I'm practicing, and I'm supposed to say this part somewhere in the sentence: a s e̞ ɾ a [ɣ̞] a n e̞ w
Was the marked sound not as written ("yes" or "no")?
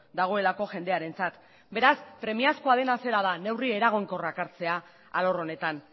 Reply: yes